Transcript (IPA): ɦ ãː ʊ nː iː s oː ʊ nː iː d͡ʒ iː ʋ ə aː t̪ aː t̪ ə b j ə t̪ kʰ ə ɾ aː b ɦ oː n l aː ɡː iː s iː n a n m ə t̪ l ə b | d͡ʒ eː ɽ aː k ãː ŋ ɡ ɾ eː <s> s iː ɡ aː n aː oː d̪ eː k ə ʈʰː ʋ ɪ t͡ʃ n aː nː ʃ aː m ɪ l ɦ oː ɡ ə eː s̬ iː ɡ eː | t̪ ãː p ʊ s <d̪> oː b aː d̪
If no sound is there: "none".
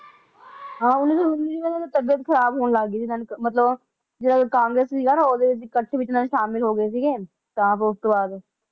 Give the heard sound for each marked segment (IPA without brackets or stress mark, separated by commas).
s, t̪